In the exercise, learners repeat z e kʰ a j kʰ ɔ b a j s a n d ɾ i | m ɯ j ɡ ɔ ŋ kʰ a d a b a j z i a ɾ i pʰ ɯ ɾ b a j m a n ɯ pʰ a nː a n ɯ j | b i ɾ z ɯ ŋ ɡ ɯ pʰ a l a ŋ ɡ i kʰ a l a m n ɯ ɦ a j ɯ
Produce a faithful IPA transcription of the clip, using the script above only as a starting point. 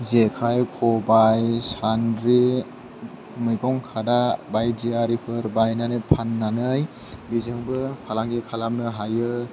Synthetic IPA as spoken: z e kʰ a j kʰ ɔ b a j s a n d ɾ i | m ɯ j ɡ ɔ ŋ kʰ a d a b a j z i a ɾ i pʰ ɯ ɾ b a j n a n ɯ pʰ a nː a n ɯ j | b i z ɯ ŋ b ɯ pʰ a l a ŋ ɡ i kʰ a l a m n ɯ ɦ a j ɯ